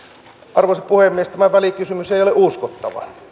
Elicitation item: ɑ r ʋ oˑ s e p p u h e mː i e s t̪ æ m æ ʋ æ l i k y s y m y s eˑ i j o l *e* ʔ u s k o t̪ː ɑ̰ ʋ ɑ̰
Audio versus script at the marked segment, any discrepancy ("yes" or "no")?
no